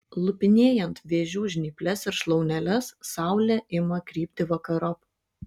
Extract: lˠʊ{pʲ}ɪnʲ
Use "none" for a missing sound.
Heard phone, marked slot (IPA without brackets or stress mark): pʲ